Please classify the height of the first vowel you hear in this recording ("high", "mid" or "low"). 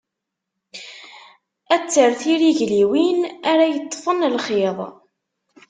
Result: low